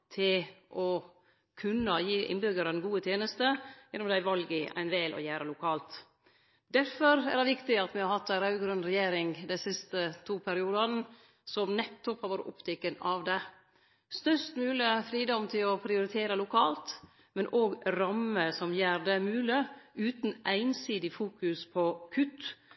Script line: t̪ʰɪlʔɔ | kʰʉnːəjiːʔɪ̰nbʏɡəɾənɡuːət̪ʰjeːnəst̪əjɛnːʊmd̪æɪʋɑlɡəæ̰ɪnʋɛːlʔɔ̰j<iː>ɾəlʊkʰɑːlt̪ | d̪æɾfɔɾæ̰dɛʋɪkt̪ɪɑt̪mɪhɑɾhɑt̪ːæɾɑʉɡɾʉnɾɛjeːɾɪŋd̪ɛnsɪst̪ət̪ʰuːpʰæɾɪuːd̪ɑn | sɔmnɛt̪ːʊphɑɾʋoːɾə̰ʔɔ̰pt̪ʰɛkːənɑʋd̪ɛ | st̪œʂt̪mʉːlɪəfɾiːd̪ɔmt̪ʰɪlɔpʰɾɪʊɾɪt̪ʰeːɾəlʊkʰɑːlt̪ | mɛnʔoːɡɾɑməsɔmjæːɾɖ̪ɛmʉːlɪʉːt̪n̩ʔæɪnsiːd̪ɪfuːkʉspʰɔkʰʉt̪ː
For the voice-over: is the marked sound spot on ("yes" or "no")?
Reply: no